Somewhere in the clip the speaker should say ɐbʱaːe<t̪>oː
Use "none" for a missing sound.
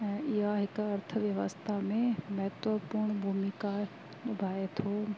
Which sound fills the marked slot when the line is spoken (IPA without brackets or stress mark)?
t̪ʰ